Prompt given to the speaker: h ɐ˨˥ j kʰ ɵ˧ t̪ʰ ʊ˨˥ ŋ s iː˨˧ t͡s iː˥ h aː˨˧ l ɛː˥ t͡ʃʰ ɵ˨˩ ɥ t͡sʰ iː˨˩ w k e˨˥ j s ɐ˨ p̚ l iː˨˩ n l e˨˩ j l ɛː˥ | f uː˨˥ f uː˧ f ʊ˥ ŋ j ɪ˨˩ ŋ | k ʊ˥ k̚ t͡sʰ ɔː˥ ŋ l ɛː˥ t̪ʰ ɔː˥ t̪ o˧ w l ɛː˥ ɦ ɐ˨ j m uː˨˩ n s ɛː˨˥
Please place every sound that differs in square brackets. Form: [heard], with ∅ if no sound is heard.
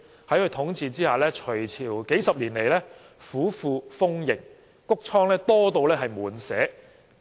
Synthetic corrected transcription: h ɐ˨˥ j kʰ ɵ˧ t̪ʰ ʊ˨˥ ŋ [t͡s] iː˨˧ t͡s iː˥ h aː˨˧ l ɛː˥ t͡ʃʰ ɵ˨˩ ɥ t͡sʰ iː˨˩ w k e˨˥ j s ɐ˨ p̚ l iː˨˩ n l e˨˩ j l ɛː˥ | f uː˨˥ f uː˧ f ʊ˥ ŋ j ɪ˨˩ ŋ | k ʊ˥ k̚ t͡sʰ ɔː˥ ŋ l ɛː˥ [t̪] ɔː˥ t̪ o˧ w l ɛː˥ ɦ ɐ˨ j m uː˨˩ n s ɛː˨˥